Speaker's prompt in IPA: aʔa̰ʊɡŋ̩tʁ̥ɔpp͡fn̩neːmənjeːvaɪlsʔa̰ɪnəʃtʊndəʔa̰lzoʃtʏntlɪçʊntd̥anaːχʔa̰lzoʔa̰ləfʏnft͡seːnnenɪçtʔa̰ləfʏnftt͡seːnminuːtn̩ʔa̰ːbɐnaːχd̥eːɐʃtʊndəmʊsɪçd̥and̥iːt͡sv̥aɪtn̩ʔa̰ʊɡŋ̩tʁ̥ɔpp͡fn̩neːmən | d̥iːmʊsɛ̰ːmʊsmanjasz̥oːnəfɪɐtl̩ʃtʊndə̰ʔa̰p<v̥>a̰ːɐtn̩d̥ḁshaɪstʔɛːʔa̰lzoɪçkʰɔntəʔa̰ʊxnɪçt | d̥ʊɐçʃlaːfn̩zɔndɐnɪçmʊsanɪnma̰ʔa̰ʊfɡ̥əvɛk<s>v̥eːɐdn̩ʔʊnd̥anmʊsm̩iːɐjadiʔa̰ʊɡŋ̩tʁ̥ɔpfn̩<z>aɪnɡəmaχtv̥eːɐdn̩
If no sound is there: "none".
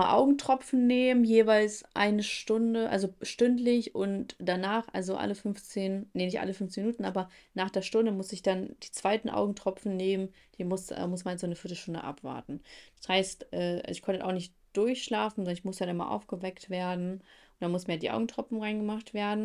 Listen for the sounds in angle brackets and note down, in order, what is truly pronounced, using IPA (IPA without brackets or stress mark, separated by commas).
v̥, t, ʁ